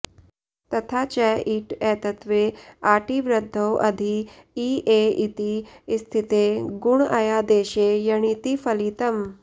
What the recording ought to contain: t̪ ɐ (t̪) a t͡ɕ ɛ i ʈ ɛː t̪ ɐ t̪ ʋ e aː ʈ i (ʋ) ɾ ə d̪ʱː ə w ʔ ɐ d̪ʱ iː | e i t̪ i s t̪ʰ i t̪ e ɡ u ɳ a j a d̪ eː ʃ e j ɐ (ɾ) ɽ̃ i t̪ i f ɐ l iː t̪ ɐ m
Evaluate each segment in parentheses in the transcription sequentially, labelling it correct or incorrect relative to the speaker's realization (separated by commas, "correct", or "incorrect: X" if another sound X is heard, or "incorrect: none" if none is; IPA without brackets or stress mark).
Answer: incorrect: t̪ʰ, correct, incorrect: none